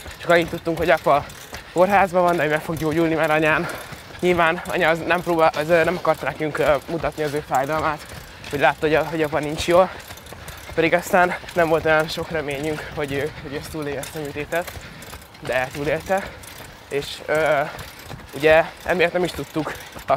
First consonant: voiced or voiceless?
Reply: voiceless